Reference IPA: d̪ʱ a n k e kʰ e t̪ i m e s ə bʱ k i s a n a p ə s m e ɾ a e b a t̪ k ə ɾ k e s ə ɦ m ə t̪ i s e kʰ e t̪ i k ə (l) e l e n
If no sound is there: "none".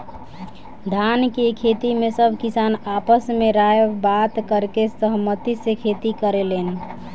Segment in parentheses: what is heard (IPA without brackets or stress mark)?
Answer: ɾ